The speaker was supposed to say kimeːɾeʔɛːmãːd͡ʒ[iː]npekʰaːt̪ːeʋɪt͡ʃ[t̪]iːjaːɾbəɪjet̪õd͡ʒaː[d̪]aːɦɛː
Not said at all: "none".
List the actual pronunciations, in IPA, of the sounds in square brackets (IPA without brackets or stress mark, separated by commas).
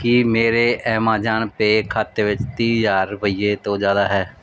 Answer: aː, t̪, d̪